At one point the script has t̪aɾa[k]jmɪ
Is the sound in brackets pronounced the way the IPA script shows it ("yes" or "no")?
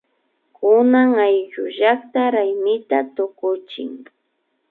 no